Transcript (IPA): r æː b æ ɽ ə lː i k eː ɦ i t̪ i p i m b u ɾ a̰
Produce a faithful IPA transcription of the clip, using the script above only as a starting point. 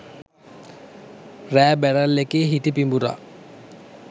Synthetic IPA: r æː b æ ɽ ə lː e k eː ɦ i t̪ i p i m b u ɾ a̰